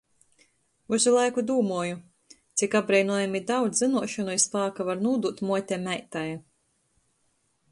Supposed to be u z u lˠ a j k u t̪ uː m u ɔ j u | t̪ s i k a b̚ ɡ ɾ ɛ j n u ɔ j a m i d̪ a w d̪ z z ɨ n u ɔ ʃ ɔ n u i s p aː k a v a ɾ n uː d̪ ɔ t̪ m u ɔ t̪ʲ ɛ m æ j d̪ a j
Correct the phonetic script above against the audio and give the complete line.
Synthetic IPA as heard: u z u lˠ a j k u d̪ uː m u ɔ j u | t̪ s i k a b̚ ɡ ɾ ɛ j n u ɔ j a m i d̪ a w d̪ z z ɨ n u ɔ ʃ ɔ n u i s p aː k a v a ɾ n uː d̪ u t̪ m u ɔ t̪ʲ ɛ m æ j t̪ a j